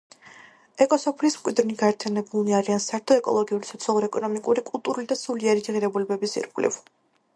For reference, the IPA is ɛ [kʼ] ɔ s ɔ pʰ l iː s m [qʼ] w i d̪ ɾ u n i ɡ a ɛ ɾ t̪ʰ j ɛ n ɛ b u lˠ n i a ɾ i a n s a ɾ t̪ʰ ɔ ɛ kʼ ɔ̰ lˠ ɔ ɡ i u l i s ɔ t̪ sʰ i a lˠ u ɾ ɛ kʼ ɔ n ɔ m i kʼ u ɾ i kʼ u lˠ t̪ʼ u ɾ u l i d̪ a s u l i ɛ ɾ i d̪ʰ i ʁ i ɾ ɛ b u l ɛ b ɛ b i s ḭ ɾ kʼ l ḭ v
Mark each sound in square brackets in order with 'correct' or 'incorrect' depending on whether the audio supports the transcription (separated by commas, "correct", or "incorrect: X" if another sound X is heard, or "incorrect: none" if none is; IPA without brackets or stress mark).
correct, incorrect: kʼ